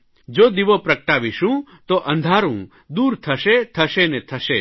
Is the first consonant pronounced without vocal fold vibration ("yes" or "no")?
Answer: no